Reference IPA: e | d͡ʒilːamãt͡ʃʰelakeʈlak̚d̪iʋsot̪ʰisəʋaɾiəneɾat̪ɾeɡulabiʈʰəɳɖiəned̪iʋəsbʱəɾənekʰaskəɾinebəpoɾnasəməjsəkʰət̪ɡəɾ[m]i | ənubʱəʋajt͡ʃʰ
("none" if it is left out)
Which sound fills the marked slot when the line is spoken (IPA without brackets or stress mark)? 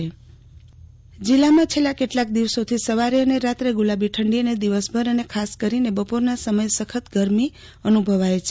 m